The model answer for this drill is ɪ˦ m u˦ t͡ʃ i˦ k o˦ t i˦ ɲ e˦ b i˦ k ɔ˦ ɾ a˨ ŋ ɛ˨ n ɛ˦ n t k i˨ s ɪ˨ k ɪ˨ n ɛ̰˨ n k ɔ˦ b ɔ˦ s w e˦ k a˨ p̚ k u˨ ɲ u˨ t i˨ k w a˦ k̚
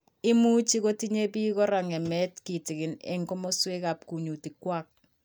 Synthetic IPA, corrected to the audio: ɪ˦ m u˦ t͡ʃ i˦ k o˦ t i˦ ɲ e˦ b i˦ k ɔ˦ ɾ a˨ ŋ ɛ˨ m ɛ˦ t k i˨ t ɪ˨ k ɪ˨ n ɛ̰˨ ŋ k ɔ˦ m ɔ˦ s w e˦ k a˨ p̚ k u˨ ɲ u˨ t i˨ k w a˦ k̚